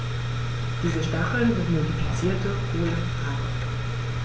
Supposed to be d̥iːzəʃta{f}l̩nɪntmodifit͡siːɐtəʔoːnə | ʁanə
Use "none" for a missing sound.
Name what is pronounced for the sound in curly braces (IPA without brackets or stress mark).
χ